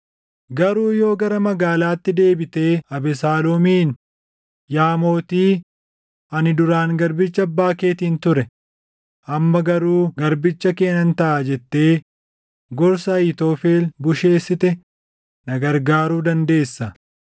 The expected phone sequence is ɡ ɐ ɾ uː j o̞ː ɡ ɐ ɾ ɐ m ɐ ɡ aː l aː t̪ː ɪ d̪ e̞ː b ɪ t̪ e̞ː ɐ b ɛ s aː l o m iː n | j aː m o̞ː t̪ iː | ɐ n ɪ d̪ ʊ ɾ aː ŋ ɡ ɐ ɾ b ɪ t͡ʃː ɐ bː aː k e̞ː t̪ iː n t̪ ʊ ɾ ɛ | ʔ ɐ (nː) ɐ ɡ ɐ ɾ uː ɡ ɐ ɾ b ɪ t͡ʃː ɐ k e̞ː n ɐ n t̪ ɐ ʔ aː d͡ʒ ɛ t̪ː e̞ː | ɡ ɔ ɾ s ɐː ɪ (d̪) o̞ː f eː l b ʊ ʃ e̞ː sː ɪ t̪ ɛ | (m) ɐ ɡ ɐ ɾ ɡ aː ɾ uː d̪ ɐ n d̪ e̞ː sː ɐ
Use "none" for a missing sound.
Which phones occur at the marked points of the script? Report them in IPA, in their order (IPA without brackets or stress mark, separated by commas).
mː, t̪, n